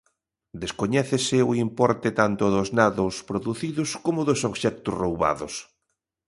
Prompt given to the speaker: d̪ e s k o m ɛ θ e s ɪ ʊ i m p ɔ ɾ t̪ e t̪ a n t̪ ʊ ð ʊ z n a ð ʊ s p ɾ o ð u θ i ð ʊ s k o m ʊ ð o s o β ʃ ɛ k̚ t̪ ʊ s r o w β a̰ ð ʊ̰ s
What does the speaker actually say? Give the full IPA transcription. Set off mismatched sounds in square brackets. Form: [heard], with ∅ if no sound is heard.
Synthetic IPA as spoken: d̪ e s k o [ɲ] ɛ θ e s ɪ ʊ i m p ɔ ɾ t̪ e t̪ a n t̪ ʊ ð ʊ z n a ð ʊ s p ɾ o ð u θ i ð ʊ s k o m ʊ ð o s o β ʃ ɛ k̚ t̪ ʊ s r o w β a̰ ð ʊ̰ s